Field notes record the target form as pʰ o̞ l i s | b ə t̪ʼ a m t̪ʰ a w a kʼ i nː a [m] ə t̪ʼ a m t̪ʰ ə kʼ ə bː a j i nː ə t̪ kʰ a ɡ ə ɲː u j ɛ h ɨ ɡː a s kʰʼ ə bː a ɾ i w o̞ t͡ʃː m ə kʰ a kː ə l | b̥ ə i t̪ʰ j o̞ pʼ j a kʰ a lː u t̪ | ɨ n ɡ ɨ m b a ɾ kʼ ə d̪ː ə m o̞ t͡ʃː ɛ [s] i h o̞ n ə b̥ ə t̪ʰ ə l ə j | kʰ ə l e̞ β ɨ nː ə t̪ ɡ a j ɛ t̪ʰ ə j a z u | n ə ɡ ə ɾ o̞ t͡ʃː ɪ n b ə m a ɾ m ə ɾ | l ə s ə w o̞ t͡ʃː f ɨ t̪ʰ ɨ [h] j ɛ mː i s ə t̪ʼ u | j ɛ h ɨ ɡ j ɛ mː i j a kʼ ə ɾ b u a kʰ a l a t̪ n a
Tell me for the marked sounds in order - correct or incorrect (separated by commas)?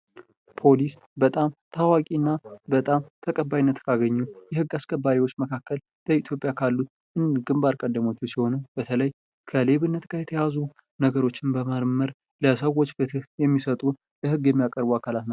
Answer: incorrect, correct, correct